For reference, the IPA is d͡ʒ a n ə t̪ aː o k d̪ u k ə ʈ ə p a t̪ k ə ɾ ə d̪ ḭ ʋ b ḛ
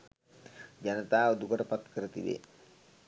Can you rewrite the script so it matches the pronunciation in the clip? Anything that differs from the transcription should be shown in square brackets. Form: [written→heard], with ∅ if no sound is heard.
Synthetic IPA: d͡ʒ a n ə t̪ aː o [k→∅] d̪ u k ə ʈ ə p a t̪ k ə ɾ ə [d̪→t̪] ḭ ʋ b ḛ